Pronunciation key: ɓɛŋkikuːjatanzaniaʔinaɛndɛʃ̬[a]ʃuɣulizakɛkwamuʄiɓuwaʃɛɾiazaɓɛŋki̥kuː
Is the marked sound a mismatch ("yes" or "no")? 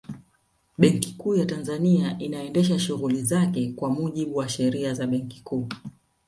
no